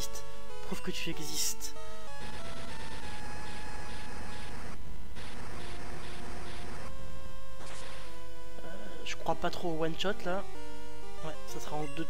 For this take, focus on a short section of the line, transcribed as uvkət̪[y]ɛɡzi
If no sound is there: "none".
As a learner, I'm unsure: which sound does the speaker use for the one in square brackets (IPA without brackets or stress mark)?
y